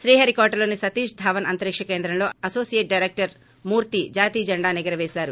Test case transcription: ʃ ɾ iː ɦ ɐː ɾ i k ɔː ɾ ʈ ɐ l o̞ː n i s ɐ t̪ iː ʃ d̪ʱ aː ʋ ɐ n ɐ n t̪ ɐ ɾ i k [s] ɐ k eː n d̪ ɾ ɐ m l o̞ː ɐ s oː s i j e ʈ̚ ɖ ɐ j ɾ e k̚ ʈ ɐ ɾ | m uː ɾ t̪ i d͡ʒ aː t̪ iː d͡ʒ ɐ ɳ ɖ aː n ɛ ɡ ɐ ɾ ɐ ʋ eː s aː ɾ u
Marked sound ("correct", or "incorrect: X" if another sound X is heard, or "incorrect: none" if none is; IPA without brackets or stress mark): incorrect: ʂ